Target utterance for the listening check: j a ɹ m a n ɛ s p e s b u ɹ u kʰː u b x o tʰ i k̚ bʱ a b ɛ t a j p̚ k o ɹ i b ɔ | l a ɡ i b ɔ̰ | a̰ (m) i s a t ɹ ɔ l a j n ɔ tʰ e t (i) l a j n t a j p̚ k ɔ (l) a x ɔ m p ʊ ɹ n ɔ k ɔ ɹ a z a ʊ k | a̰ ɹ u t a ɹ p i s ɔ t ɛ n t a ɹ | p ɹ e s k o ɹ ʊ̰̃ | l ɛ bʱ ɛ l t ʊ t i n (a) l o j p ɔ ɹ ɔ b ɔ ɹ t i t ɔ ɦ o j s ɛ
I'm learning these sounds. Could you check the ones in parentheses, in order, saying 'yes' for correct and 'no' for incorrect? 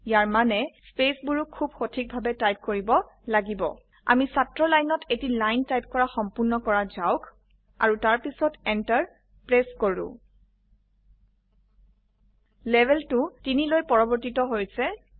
yes, yes, no, no

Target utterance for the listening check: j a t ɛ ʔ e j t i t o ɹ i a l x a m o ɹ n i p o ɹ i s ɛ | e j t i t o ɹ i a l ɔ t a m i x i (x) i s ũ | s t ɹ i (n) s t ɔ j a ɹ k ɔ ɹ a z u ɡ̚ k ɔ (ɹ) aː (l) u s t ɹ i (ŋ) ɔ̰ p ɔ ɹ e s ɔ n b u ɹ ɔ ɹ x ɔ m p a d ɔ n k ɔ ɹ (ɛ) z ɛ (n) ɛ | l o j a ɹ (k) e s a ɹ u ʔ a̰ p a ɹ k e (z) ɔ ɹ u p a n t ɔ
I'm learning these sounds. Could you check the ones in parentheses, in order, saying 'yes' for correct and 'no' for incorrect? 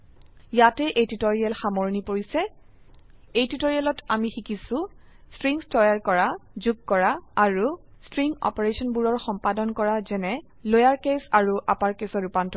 no, no, yes, no, yes, no, yes, yes, no

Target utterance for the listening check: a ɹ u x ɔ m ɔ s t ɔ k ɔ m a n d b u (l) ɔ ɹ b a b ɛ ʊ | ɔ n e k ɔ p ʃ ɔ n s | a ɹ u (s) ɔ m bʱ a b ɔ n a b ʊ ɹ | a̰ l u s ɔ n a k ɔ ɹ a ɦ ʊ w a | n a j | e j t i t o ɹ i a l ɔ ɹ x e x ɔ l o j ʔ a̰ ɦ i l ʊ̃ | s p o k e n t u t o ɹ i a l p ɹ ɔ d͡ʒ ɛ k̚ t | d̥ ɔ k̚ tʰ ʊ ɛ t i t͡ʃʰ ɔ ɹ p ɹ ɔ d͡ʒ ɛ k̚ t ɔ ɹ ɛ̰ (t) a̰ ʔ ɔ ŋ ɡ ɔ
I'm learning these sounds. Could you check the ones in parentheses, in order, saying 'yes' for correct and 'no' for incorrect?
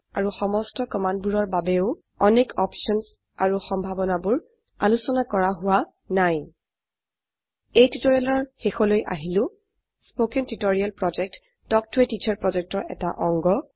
no, no, yes

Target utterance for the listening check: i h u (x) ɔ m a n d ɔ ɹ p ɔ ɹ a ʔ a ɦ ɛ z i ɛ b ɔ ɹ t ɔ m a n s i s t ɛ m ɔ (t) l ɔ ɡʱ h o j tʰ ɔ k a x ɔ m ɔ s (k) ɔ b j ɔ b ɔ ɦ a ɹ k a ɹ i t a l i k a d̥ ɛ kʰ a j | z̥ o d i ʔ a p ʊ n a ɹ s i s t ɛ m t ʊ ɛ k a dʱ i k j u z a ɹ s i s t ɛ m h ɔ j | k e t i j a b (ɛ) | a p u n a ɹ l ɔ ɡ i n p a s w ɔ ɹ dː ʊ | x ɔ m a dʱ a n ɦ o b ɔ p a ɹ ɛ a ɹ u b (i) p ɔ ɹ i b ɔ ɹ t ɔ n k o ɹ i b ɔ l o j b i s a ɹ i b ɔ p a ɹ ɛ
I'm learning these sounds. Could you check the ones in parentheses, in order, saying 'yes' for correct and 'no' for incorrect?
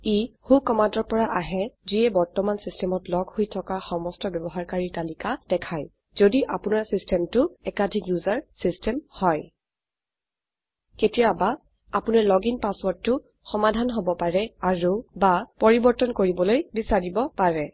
no, yes, no, no, no

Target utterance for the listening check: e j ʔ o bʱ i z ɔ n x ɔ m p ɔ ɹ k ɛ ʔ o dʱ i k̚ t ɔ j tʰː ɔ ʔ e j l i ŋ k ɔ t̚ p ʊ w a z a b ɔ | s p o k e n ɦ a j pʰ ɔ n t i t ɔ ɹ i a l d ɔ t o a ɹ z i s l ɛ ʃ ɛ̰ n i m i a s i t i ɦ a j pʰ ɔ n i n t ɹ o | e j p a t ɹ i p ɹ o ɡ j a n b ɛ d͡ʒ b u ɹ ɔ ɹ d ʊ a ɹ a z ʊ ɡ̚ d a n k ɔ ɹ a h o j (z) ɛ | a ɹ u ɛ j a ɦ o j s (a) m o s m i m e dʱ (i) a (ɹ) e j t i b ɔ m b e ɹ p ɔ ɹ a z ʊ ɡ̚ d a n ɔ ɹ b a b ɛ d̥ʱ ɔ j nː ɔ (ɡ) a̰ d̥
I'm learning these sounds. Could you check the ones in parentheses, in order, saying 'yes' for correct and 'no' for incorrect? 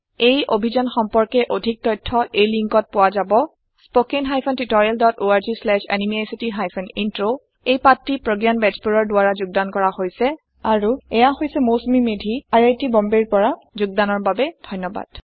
no, no, yes, yes, no

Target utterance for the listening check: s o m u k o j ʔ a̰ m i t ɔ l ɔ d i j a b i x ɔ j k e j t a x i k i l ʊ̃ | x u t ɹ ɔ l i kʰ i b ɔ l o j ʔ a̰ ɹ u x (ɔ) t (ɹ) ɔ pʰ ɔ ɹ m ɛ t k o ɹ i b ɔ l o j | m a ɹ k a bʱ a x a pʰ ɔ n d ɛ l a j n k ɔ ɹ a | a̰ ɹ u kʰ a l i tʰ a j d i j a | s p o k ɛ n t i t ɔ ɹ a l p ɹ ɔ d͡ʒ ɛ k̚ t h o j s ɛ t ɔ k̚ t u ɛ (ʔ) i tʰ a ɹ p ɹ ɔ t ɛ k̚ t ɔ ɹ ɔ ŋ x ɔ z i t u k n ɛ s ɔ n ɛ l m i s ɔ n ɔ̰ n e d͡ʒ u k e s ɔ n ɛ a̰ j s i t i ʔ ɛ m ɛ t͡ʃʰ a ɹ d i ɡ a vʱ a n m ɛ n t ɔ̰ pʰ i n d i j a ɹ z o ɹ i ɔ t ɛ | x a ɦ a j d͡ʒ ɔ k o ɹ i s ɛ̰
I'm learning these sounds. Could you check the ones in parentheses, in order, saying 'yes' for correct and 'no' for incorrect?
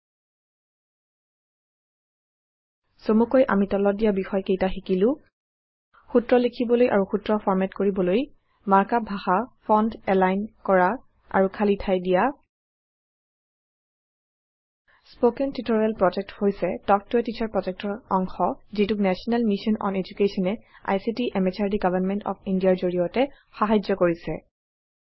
no, yes, no

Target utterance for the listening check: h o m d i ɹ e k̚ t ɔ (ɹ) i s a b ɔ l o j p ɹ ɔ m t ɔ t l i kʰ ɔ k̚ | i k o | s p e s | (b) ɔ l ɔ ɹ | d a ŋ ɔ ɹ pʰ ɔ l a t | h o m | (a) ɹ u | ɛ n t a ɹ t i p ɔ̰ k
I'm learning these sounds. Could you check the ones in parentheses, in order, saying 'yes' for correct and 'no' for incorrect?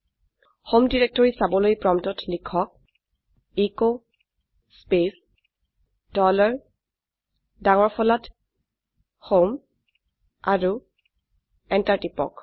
yes, no, yes

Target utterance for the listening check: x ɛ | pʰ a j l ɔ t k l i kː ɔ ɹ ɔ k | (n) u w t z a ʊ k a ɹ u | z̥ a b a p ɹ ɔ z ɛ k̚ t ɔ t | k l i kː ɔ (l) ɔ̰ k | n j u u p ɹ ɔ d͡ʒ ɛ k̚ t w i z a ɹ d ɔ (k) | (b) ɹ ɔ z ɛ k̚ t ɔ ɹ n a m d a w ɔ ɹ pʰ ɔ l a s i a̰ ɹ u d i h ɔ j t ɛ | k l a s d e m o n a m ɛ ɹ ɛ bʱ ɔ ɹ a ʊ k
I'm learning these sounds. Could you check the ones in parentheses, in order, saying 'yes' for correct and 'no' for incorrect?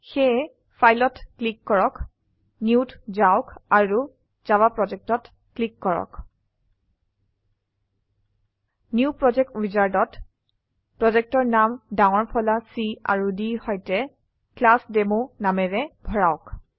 yes, no, no, no

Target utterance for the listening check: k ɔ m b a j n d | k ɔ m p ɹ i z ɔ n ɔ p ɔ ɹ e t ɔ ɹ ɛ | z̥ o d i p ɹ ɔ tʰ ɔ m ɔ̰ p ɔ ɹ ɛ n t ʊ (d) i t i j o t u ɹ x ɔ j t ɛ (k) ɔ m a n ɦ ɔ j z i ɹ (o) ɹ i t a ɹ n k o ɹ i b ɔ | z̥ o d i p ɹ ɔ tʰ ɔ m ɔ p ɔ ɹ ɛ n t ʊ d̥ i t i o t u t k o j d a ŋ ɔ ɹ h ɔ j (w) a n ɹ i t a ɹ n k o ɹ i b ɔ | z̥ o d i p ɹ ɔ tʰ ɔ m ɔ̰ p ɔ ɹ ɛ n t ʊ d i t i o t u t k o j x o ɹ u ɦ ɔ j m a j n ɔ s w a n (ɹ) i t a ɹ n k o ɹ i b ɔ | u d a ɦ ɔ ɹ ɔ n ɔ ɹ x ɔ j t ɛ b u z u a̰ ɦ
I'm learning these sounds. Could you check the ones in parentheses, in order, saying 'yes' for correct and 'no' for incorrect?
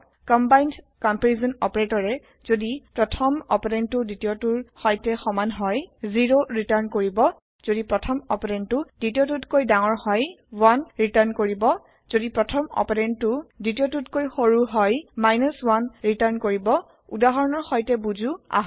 yes, no, yes, yes, yes

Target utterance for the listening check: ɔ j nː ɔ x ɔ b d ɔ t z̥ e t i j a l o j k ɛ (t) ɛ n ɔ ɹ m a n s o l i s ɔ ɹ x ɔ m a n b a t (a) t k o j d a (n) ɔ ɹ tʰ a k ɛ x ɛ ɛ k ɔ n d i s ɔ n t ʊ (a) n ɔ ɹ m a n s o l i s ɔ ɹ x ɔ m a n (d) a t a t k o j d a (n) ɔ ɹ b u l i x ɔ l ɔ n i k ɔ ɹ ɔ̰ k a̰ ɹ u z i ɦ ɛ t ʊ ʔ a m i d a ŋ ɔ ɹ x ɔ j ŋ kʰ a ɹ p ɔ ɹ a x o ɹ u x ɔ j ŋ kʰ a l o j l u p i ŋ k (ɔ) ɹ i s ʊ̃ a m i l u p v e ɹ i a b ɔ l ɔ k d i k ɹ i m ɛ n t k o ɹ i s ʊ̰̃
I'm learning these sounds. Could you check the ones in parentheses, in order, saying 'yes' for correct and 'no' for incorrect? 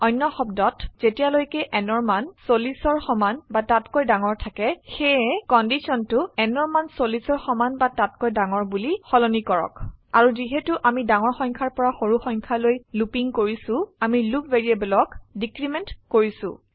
no, yes, no, no, no, no, no

